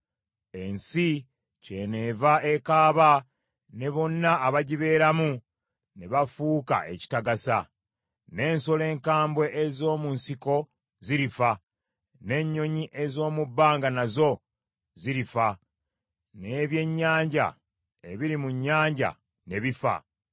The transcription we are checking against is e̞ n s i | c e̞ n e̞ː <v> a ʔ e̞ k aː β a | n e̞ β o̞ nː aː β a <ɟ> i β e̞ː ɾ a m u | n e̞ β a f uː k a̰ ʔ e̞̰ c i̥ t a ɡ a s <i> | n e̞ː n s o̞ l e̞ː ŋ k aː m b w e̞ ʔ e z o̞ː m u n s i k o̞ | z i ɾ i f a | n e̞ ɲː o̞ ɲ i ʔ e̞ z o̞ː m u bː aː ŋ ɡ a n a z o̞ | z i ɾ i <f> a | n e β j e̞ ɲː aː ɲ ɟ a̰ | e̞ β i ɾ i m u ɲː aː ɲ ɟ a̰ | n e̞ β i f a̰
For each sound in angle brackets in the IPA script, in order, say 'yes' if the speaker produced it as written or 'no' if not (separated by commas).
yes, yes, no, yes